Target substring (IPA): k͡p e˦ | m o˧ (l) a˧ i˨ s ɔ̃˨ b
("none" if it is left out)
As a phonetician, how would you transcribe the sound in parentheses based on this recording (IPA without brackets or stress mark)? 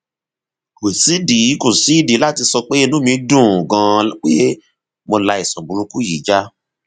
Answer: l